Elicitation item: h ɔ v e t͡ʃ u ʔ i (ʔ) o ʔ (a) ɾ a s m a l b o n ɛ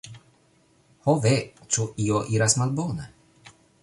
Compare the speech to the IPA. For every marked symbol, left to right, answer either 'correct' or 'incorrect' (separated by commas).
incorrect, incorrect